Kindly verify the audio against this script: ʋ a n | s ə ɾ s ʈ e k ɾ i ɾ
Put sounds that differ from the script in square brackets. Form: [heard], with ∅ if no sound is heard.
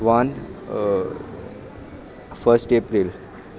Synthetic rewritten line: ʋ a n | [f] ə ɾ s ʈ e [p] ɾ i [l]

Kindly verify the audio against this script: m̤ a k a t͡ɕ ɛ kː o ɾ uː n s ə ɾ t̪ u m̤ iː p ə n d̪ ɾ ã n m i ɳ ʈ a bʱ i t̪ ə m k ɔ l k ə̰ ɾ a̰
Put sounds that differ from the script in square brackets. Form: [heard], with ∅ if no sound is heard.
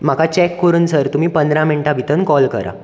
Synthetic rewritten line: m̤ a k a t͡ɕ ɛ kː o ɾ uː n s ə ɾ t̪ u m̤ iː p ə n d̪ ɾ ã [∅] m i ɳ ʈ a bʱ i t̪ ə [n] k ɔ l k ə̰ ɾ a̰

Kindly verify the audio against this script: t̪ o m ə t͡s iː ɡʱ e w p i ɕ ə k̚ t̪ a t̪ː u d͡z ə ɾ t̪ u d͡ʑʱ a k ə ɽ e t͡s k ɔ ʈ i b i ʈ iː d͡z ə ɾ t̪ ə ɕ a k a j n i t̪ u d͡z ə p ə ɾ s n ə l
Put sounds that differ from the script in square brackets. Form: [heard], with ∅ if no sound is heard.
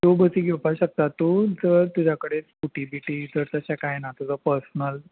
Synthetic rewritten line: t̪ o [b] ə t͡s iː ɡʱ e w p [a] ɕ ə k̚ t̪ a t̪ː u d͡z ə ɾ t̪ u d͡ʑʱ a k ə ɽ e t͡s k [u] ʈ i b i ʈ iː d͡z ə ɾ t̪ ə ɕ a k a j n [a] t̪ u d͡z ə p ə ɾ s n ə l

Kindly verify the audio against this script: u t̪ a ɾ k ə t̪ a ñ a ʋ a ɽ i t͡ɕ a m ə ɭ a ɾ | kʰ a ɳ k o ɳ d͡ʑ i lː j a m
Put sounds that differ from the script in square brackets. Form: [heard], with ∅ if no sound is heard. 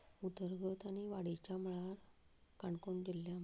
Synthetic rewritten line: u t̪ [ə] ɾ [ɡ] ə t̪ a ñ [i] ʋ a ɽ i t͡ɕ a m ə ɭ a ɾ | [k] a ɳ k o ɳ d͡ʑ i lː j a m

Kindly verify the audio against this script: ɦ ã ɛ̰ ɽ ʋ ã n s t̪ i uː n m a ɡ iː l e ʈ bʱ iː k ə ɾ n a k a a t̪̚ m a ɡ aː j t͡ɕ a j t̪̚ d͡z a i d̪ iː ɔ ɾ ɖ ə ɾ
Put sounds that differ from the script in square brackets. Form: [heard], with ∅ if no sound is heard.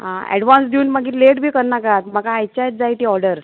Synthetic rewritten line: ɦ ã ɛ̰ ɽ ʋ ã n s [d̪] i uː n m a ɡ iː l e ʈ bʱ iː k ə ɾ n a k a a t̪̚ m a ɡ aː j t͡ɕ a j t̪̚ d͡z a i [t̪] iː ɔ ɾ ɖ ə ɾ

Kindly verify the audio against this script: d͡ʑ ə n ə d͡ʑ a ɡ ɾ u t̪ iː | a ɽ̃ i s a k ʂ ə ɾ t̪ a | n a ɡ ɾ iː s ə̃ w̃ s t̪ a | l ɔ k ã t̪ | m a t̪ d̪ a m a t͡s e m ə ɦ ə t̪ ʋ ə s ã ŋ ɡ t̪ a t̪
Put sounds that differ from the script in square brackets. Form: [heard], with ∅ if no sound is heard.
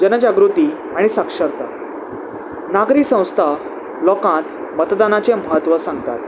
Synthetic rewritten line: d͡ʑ ə n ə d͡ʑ a ɡ ɾ u t̪ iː | a ɽ̃ i s a k ʂ ə ɾ t̪ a | n a ɡ ɾ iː s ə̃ w̃ s [t̪ʰ] a | l ɔ k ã t̪ | m [ə] t̪ d̪ a [n] a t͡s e m ə ɦ ə t̪ ʋ ə s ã ŋ ɡ t̪ a t̪

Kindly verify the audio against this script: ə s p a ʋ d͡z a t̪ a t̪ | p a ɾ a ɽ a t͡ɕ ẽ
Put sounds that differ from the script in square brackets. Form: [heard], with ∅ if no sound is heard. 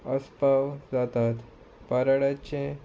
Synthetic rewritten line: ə s p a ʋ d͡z a t̪ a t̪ | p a ɾ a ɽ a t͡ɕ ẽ

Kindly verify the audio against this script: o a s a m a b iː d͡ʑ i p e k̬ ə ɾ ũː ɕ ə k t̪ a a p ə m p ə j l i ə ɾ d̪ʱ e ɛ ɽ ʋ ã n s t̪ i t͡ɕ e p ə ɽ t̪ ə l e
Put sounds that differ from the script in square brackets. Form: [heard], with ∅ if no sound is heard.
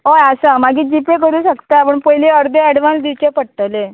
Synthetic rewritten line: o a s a m a [ɡ] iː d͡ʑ i p e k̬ ə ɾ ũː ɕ ə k t̪ a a p ə [ɳ] p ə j l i ə ɾ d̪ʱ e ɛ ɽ ʋ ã n s [d̪] i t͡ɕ e p ə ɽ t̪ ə l e

